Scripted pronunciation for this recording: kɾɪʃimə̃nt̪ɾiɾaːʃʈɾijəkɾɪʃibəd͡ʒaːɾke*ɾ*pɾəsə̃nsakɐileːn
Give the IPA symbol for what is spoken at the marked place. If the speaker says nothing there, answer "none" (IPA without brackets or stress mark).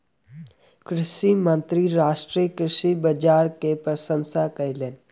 none